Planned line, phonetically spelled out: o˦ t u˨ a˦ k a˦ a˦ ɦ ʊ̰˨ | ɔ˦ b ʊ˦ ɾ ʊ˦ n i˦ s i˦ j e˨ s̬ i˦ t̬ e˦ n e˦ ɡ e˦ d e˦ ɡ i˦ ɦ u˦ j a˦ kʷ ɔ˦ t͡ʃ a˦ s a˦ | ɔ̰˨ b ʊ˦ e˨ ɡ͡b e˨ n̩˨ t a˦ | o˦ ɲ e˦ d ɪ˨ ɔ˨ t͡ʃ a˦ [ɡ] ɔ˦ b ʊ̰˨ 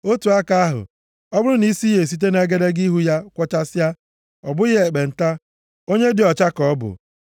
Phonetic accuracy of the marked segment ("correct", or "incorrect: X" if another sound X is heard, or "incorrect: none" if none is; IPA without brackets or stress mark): incorrect: k